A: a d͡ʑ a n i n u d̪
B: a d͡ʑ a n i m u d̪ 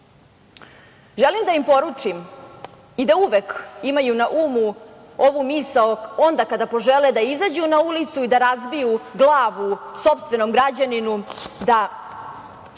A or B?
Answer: A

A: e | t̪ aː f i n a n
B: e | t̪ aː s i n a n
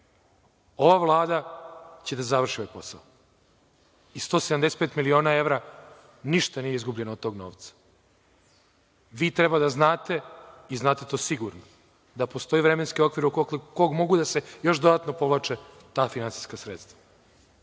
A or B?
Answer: A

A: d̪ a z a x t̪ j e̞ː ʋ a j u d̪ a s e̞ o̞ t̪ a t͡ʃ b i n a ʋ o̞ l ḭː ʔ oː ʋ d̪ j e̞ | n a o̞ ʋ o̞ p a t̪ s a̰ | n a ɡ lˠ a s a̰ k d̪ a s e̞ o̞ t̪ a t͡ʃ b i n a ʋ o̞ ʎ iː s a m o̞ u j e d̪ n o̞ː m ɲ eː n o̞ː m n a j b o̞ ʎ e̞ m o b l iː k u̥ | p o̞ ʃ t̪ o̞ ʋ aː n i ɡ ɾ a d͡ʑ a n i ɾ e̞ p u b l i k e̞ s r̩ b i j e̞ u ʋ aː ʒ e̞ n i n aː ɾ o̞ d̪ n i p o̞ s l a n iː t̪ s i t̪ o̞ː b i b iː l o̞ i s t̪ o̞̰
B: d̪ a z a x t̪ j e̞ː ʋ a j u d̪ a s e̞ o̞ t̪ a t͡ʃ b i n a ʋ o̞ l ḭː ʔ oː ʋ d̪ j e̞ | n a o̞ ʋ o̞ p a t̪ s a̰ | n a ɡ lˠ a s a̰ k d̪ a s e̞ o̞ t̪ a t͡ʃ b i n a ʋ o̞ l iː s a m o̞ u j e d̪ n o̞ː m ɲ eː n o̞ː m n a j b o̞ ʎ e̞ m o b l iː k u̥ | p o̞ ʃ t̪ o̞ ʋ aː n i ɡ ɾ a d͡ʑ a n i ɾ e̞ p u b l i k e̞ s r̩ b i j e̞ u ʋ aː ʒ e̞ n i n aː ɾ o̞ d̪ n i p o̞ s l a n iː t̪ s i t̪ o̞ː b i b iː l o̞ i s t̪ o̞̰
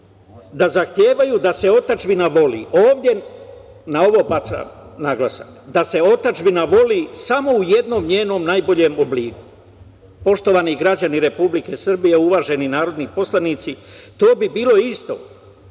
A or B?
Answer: B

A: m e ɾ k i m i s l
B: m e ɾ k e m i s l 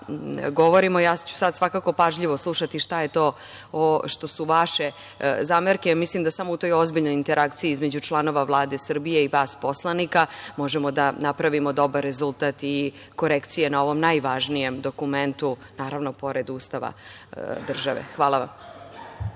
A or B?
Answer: B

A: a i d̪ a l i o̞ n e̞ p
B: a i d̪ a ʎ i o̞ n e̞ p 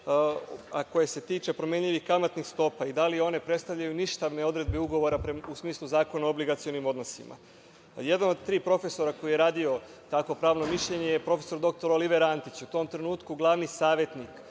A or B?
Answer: A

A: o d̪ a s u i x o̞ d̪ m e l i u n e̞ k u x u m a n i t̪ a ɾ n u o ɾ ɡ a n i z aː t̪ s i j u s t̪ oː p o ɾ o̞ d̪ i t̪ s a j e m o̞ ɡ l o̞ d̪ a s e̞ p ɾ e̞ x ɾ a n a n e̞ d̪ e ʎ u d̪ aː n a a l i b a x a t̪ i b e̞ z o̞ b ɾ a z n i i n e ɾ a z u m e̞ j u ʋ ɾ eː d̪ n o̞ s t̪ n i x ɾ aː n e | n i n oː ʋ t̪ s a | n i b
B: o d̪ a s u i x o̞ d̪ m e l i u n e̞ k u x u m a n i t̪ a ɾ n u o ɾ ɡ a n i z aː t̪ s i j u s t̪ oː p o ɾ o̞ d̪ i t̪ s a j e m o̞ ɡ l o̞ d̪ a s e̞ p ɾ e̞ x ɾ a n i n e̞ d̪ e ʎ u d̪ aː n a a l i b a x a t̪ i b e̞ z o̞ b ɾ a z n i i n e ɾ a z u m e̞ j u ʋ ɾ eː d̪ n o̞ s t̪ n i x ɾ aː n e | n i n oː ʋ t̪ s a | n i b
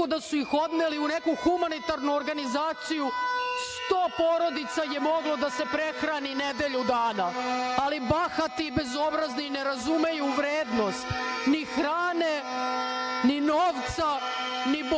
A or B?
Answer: B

